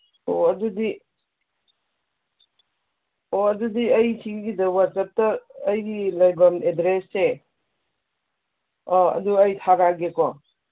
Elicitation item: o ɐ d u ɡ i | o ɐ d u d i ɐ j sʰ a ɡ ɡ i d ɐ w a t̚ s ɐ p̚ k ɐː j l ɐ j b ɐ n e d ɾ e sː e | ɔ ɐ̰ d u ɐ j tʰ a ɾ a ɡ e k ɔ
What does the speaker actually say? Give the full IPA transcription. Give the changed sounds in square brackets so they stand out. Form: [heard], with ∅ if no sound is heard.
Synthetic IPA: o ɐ d u [d] i | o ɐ d u d i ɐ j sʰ [i] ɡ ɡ i d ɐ w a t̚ s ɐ p̚ [t] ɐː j l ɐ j b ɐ [m] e d ɾ e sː e | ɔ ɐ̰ d u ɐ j tʰ a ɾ a ɡ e k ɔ